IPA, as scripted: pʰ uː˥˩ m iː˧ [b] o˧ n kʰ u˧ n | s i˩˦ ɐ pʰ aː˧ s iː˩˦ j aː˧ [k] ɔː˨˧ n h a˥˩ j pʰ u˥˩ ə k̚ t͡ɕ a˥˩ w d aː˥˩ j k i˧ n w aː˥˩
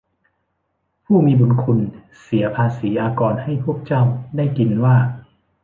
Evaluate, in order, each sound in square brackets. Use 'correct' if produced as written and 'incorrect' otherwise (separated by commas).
correct, correct